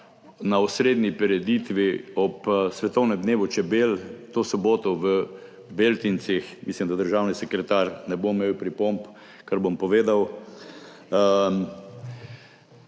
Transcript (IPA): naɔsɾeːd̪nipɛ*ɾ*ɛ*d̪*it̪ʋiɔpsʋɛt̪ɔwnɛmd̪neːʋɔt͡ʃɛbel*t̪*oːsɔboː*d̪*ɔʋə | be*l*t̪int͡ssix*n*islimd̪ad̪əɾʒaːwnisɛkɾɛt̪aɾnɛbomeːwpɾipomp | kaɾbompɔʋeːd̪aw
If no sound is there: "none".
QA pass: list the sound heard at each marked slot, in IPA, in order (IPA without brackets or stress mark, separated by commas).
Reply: ɾ, d̪, t̪, t̪, l, m